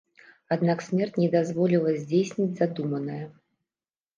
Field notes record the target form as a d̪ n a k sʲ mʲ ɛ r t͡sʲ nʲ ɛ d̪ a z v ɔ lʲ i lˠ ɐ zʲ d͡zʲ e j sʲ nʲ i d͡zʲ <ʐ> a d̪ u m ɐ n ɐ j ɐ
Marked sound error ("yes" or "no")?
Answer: yes